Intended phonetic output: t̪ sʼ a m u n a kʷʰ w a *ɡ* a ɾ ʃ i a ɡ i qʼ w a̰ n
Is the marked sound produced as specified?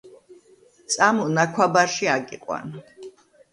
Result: no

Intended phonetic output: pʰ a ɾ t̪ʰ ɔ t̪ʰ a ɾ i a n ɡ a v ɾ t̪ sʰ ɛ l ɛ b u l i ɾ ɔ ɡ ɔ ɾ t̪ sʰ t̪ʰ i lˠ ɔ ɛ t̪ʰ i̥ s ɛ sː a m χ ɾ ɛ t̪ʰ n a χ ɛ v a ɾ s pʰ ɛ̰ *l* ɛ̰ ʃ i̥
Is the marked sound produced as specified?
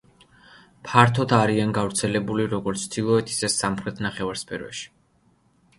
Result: no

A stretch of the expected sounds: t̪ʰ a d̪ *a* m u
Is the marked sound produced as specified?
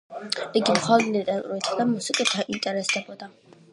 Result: yes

